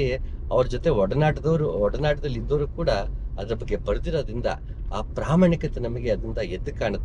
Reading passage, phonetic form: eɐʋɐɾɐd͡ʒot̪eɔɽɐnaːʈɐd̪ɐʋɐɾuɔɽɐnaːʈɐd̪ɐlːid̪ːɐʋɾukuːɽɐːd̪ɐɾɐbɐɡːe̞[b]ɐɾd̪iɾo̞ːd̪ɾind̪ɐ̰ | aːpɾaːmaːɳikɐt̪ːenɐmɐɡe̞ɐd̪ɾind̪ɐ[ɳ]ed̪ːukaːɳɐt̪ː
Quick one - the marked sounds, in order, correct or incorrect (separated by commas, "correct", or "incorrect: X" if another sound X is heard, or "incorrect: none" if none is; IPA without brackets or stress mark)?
correct, incorrect: none